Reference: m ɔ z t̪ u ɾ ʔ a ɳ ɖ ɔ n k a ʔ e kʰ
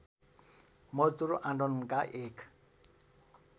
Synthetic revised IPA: m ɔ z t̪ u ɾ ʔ a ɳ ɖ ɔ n k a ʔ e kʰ